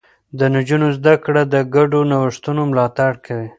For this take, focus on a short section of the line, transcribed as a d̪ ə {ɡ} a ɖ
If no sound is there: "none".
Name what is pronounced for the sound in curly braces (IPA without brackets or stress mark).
ɡ